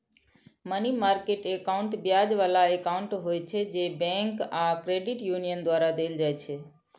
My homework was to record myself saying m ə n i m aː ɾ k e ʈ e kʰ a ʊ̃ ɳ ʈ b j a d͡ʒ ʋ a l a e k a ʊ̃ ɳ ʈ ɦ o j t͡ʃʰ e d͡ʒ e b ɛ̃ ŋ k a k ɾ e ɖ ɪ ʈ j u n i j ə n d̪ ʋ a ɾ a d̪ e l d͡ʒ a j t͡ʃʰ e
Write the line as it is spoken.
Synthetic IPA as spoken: m ə n i m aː ɾ k e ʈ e k a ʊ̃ ɳ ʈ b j a d͡ʒ ʋ a l a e k a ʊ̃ ɳ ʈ ɦ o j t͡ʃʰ e d͡ʒ e b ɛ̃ ŋ k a k ɾ e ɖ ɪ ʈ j u n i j ə n d̪ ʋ a ɾ a d̪ e l d͡ʒ a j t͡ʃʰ e